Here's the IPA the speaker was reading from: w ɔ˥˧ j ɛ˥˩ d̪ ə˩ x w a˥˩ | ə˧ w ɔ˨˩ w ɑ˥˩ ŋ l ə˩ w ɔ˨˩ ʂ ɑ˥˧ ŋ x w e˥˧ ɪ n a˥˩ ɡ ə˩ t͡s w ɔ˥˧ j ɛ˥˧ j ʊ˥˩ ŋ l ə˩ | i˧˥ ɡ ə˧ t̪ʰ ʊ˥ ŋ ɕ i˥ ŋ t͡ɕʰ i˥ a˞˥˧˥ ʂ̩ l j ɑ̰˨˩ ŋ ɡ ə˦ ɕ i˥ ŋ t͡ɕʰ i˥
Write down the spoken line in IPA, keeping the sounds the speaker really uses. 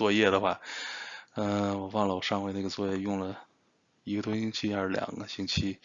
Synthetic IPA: w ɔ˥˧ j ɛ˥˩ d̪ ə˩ x w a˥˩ | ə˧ w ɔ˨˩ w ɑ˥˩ ŋ l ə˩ w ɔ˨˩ ʂ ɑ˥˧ ŋ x w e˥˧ ɪ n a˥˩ ɡ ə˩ t͡s w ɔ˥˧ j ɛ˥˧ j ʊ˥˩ ŋ l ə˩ | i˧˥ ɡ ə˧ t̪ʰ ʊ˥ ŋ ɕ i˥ ŋ t͡ɕʰ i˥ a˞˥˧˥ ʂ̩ l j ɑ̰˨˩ ŋ ɡ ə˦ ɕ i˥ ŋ t͡ɕʰ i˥